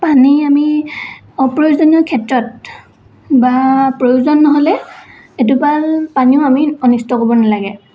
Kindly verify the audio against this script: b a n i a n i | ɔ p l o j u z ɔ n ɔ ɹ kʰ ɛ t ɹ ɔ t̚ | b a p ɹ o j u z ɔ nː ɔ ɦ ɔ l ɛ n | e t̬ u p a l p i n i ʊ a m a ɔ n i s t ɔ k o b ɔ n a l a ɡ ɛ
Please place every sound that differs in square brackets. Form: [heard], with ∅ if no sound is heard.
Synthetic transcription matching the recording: [p] a n i a [m] i | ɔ p [ɹ] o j u z ɔ n ɔ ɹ kʰ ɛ t ɹ ɔ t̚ | b a p ɹ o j u z ɔ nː ɔ ɦ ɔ l ɛ [∅] | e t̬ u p a l p [a] n i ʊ a m [i] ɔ n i s t ɔ k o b ɔ n a l a ɡ ɛ